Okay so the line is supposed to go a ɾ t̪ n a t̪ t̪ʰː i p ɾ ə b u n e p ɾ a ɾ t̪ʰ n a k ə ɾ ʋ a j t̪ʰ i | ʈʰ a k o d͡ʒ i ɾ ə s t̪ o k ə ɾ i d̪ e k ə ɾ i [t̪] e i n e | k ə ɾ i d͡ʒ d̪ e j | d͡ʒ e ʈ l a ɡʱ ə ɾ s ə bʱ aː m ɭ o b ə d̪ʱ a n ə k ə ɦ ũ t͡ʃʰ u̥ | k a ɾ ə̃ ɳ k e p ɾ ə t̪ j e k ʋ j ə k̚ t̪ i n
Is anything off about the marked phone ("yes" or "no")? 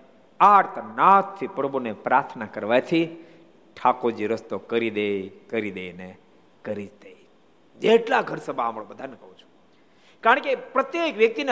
yes